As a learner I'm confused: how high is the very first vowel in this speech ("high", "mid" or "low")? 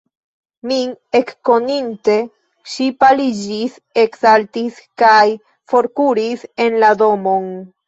high